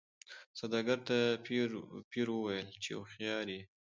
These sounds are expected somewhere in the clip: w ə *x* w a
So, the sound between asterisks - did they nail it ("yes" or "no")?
no